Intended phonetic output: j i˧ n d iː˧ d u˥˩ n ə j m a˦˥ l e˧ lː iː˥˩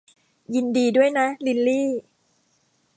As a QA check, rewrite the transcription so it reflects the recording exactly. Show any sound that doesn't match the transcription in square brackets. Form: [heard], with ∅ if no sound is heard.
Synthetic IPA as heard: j i˧ n d iː˧ d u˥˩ [∅] ə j [n] a˦˥ l [i˧] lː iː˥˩